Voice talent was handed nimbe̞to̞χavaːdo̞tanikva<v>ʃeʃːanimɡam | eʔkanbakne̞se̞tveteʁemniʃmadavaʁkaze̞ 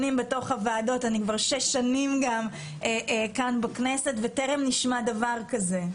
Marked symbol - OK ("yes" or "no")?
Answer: no